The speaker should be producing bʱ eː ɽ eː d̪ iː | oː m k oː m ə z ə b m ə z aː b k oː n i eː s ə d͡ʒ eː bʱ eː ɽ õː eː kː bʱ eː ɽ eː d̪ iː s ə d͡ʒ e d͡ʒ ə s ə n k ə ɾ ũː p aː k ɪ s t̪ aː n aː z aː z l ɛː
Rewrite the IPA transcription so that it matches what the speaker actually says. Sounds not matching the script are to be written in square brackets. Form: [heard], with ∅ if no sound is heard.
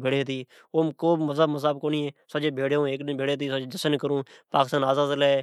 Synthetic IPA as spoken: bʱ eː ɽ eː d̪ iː | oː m k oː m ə z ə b m ə z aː b k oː n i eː s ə d͡ʒ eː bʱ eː ɽ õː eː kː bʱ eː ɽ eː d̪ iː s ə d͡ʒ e d͡ʒ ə s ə n k ə ɾ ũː p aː k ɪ s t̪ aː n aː z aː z l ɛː